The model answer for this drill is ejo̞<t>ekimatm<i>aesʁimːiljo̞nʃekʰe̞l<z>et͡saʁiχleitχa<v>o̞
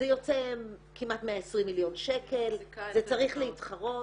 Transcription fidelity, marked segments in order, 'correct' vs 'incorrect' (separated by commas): incorrect, incorrect, correct, incorrect